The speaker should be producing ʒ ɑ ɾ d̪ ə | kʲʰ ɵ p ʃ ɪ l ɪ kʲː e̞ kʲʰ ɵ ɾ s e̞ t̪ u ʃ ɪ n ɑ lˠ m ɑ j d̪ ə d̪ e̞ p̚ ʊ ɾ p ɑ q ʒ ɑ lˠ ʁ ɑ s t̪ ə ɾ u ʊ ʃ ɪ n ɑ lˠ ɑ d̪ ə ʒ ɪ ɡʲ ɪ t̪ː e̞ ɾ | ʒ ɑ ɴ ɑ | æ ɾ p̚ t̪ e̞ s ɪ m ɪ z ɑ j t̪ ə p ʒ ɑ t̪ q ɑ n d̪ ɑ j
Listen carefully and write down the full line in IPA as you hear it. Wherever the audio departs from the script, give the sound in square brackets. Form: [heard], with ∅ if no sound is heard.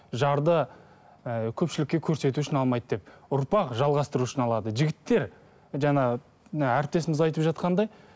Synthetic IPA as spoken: ʒ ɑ ɾ d̪ ə | kʲʰ ɵ p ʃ ɪ l ɪ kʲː e̞ kʲʰ ɵ ɾ s e̞ t̪ u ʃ ɪ n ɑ lˠ m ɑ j d̪ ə d̪ e̞ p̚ ʊ ɾ p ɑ q ʒ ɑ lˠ ʁ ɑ s t̪ ə ɾ u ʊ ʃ ɪ n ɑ lˠ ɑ d̪ ə ʒ ɪ ɡʲ ɪ t̪ː e̞ ɾ | ʒ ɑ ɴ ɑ | æ ɾ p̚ t̪ e̞ s ɪ m ɪ z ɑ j t̪ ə p ʒ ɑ t̪ q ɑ n d̪ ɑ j